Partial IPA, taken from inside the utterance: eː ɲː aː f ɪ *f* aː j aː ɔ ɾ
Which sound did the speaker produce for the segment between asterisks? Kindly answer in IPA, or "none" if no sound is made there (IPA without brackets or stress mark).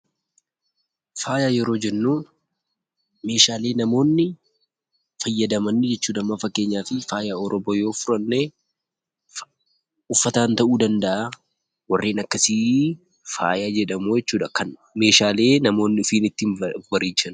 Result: f